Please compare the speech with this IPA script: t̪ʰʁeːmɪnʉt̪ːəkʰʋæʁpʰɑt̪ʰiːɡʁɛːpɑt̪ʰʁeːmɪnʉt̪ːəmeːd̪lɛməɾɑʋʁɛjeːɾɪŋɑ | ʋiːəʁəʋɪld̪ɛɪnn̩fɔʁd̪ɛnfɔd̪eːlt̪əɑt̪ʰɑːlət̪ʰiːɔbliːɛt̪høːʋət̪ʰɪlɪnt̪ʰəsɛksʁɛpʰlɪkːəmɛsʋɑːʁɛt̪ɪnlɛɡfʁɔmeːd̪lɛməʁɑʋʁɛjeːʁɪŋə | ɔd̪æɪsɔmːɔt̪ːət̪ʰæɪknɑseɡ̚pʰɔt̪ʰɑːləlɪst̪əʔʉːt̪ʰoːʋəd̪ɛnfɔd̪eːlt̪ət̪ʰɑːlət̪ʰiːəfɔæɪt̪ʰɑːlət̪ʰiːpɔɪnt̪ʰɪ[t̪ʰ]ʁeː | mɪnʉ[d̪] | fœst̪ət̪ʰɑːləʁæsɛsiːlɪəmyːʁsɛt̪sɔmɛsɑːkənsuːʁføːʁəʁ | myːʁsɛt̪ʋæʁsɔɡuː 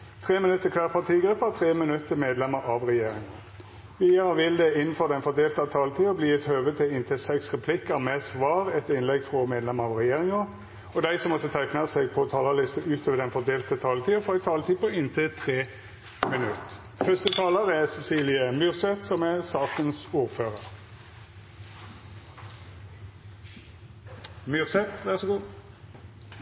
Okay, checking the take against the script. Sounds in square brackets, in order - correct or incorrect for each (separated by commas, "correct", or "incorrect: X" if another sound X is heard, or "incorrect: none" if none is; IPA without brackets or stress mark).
correct, incorrect: t̪